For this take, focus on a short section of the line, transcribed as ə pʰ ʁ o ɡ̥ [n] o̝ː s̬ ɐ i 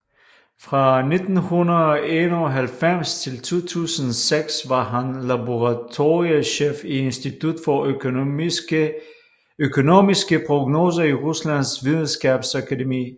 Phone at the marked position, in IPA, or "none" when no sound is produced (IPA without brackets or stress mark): n